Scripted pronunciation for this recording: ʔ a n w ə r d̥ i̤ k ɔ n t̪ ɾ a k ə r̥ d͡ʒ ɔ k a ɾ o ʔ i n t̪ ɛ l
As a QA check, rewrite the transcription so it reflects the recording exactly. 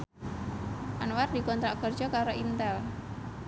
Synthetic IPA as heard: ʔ a n w a r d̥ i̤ k ɔ n t̪ ɾ a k ə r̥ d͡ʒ ɔ k a ɾ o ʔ i n t̪ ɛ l